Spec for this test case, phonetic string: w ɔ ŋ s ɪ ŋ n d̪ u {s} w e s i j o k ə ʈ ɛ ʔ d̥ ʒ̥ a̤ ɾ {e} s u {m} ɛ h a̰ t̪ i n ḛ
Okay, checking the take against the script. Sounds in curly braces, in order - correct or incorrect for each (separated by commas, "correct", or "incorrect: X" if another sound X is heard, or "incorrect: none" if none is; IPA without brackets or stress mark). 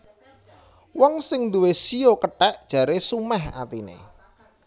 incorrect: none, correct, correct